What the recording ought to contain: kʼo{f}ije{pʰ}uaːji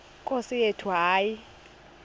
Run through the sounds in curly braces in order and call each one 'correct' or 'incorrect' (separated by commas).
incorrect, incorrect